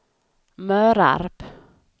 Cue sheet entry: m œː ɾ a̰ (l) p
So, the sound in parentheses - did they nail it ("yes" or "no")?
no